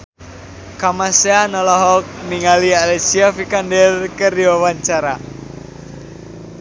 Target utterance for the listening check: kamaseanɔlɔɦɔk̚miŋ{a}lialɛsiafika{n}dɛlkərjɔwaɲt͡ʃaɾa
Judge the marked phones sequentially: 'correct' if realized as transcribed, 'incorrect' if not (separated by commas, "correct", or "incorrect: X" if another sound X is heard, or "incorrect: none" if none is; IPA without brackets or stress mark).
correct, correct